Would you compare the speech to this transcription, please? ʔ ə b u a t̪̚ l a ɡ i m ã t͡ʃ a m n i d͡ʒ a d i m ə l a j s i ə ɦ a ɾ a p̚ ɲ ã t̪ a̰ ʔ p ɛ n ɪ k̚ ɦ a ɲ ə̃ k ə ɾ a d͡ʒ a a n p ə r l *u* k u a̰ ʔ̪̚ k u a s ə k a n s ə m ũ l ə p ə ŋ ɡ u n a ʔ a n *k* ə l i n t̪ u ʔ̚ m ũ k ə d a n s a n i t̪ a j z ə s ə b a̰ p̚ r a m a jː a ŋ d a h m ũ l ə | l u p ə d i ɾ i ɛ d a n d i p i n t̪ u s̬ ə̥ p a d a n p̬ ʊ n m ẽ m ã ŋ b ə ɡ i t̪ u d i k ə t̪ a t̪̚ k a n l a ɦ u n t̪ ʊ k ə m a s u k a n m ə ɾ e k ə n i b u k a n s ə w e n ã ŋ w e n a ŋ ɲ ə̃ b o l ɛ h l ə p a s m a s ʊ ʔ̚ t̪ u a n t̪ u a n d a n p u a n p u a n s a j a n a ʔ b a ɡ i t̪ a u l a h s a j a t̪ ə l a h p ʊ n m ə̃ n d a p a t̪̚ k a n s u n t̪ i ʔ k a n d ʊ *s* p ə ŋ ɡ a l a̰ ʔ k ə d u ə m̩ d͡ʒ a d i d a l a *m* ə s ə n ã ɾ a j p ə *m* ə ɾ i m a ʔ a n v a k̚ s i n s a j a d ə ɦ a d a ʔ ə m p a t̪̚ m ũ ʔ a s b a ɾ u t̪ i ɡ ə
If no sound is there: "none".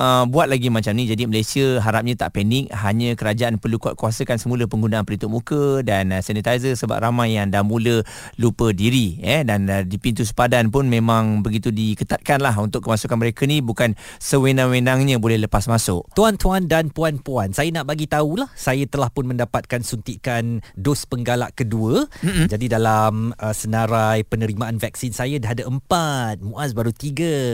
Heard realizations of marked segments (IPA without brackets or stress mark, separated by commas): u, p, s, m, n